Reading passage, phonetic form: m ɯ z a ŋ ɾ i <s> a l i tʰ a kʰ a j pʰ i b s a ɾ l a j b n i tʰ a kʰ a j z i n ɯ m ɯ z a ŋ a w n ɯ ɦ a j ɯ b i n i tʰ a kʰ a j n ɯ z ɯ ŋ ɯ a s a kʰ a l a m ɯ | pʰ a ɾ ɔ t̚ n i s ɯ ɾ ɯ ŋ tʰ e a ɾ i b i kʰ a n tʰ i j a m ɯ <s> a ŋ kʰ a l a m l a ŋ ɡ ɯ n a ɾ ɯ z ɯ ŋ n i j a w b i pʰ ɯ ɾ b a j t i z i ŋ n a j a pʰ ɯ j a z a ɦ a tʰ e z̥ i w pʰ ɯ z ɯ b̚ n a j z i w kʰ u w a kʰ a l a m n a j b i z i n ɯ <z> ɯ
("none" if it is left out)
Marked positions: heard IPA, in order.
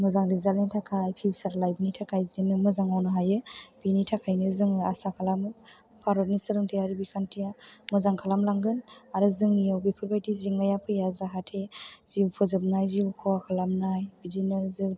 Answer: z, z, z

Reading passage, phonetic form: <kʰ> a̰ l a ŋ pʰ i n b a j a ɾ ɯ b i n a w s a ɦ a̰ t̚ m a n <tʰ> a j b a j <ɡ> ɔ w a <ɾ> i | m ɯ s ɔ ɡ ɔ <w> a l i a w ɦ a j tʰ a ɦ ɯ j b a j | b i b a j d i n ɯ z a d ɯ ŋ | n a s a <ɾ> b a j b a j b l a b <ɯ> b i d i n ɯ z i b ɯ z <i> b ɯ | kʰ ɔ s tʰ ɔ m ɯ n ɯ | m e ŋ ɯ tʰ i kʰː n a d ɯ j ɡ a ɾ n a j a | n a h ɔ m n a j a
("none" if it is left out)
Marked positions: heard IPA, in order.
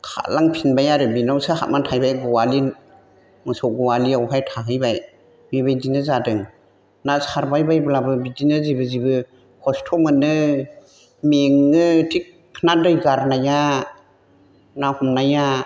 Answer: kʰ, tʰ, ɡ, l, w, ɾ, ɯ, i

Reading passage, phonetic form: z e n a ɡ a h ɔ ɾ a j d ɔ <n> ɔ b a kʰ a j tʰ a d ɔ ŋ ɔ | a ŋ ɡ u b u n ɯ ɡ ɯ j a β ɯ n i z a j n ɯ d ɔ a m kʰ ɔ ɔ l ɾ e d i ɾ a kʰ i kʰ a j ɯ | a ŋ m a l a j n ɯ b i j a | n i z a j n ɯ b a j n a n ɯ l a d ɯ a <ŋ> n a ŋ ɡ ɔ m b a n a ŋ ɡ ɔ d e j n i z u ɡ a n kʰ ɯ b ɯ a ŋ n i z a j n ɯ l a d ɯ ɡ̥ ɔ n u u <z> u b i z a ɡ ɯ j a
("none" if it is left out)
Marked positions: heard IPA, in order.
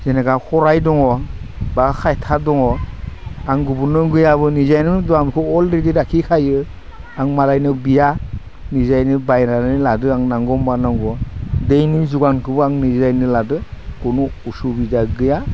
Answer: ŋ, ŋ, s

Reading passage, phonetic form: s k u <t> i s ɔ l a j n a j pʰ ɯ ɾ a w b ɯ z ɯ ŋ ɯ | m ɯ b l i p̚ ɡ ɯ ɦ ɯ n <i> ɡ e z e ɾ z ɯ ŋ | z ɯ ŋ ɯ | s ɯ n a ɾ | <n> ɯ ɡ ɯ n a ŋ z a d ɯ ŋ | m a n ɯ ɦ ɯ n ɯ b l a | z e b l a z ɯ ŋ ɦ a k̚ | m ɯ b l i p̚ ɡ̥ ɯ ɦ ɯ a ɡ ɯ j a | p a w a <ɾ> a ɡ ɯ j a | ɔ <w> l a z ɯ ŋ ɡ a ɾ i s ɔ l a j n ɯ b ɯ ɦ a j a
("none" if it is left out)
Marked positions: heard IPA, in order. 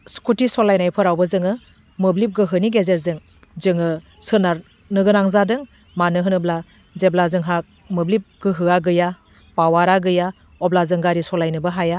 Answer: t, i, n, ɾ, b

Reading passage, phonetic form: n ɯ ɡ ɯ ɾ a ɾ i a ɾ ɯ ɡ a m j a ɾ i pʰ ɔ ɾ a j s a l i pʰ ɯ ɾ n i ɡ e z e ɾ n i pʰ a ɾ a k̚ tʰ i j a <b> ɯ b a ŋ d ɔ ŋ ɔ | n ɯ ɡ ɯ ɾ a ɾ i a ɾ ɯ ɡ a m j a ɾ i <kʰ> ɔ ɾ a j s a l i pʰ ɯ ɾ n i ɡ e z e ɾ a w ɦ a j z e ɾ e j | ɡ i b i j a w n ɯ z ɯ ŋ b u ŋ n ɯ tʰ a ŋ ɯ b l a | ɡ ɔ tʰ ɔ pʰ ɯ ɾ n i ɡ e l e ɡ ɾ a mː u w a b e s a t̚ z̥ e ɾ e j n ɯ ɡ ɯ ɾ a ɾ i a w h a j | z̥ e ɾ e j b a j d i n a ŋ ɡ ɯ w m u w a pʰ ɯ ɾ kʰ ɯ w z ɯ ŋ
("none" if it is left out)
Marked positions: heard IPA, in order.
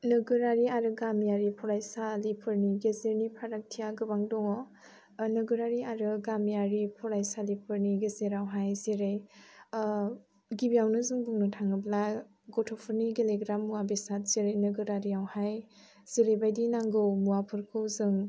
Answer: ɡ, pʰ

